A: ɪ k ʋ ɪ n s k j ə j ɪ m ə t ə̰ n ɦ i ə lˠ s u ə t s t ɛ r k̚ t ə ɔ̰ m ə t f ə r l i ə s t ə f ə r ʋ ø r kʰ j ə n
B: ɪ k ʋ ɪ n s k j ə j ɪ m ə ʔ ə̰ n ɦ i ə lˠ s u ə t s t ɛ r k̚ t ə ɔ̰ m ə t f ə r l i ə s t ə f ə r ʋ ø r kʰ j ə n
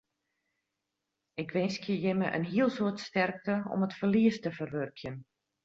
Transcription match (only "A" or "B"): B